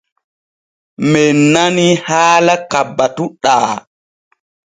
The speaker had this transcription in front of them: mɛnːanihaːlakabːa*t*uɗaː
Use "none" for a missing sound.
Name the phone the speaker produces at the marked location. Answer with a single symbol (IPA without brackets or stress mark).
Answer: t